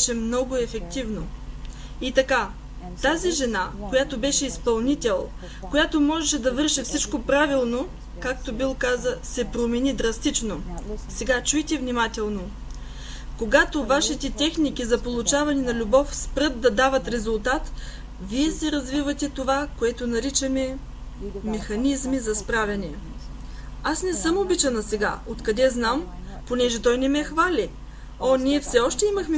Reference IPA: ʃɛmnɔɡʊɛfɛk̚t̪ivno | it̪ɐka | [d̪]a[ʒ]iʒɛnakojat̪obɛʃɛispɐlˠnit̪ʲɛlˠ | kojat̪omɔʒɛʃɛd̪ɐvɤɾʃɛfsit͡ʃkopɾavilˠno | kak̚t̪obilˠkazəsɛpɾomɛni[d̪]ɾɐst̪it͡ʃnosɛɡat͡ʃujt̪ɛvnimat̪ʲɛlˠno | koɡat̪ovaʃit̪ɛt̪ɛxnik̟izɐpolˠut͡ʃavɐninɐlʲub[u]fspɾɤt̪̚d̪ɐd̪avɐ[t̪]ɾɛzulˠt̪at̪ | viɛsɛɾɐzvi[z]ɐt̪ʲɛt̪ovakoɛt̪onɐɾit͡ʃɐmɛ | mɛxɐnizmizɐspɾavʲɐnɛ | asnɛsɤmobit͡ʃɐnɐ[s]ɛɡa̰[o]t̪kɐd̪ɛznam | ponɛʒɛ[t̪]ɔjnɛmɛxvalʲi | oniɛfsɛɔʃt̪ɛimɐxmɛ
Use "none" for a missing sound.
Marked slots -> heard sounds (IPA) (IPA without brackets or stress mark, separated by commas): t̪, z, d̪, ɔ, t̪, v, s, o, t̪